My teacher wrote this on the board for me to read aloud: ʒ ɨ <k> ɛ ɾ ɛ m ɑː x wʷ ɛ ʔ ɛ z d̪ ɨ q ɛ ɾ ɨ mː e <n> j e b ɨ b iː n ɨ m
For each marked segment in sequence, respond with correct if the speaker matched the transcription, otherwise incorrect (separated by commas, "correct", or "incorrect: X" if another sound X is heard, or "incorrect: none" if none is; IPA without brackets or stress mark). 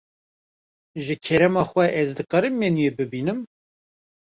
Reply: incorrect: kʰ, correct